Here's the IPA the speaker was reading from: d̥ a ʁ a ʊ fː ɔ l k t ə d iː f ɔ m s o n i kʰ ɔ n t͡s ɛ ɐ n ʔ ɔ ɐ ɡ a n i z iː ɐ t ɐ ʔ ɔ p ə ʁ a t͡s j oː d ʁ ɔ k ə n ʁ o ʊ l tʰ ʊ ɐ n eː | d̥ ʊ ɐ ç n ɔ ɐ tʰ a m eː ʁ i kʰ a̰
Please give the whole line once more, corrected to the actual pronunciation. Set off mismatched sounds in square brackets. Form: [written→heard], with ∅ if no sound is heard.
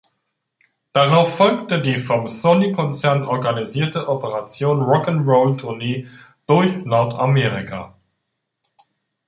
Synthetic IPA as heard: d̥ a ʁ a ʊ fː ɔ l k t ə d iː f ɔ m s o n i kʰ ɔ n t͡s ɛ ɐ n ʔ ɔ ɐ ɡ a n i z iː ɐ t [ɐ→ə] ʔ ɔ p ə ʁ a t͡s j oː [d→n] ʁ ɔ k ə n ʁ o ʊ l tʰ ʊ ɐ n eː | d̥ ʊ ɐ ç n ɔ ɐ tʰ a m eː ʁ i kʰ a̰